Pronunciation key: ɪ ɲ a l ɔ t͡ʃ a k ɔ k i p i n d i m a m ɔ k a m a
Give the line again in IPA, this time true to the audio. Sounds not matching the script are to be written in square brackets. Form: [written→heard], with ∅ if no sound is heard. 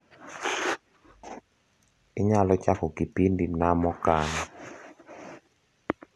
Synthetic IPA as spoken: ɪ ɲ a l ɔ t͡ʃ a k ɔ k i p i n d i [m→n] a m ɔ k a [m→n] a